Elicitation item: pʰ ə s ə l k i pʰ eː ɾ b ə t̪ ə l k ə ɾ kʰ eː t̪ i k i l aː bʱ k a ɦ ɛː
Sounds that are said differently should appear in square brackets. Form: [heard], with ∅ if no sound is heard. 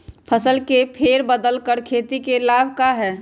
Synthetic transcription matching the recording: pʰ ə s ə l k [e] pʰ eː ɾ b ə [d̪] ə l k ə ɾ kʰ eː t̪ i k [e] l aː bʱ k a ɦ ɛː